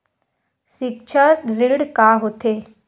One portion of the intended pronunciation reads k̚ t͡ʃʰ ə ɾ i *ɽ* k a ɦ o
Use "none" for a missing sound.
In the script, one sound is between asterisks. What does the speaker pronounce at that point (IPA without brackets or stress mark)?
ɽ